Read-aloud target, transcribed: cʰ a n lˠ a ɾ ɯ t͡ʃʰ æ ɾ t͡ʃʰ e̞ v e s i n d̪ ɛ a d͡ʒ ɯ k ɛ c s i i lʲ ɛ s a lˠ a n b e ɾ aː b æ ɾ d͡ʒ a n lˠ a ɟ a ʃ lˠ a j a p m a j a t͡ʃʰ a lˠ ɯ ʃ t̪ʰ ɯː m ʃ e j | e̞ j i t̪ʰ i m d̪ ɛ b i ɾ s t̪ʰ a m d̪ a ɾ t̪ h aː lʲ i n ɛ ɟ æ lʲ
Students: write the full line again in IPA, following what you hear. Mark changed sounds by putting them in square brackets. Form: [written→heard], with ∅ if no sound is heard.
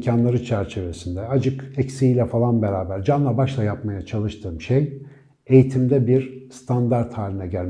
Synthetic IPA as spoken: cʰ a n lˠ a ɾ ɯ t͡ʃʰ æ ɾ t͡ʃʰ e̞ v e s i n d̪ ɛ a d͡ʒ ɯ k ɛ c s i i lʲ ɛ [s→f] a lˠ a n b e ɾ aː b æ ɾ d͡ʒ a n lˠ a [ɟ→b] a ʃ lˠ a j a p m a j a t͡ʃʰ a lˠ ɯ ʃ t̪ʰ ɯː m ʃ e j | e̞ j i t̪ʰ i m d̪ ɛ b i ɾ s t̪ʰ a [m→n] d̪ a ɾ t̪ h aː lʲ i n ɛ ɟ æ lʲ